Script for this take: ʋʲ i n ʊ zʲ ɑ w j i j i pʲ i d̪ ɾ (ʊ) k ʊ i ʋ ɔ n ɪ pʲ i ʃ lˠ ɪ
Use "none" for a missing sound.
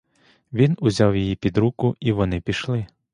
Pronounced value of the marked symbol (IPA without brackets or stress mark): u